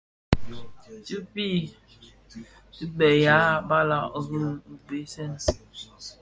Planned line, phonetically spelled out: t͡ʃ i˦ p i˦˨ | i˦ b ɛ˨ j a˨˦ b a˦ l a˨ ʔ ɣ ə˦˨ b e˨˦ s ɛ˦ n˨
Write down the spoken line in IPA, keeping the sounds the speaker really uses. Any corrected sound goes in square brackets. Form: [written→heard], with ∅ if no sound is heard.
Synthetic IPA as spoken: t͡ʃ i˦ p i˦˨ | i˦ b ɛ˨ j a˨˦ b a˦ l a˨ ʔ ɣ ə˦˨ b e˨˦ s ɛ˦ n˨